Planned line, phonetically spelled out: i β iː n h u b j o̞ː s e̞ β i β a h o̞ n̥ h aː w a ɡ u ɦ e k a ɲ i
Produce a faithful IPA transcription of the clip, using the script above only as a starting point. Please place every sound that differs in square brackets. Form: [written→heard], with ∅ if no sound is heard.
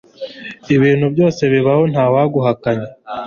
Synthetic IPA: i β iː n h u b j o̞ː s e̞ β i β a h o̞ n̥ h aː w a ɡ u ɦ [e→a] k a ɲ [i→e]